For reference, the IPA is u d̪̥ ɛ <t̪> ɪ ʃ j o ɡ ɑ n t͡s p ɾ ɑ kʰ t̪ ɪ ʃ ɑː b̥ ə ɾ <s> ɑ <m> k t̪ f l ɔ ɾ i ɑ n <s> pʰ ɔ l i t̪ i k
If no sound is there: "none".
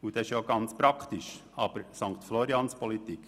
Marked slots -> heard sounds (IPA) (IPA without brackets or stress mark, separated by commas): none, s, ŋ, s